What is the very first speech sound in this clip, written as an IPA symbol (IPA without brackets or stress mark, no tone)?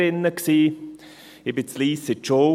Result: ɪ